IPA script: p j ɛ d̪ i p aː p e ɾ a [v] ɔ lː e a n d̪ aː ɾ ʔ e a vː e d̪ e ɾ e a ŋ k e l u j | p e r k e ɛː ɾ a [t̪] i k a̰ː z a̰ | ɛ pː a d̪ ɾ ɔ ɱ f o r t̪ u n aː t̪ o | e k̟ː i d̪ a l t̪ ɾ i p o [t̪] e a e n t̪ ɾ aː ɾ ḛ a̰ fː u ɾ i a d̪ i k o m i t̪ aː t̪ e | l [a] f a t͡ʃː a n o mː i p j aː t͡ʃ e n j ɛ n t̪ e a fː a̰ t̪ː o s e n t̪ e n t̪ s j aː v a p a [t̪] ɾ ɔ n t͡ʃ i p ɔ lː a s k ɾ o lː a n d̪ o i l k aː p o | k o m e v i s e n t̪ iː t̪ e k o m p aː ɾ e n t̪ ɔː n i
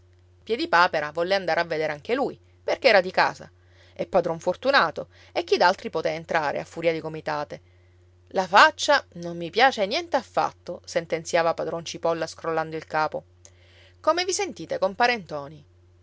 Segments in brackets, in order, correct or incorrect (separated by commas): correct, incorrect, correct, correct, incorrect